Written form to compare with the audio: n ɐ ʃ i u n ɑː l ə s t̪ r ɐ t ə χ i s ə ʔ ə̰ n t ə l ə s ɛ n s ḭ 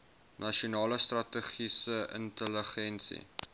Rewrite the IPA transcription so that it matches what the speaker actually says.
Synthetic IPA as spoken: n ɐ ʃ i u n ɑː l ə s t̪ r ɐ t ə χ i s ə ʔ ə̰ n t ə l ə χ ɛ n s ḭ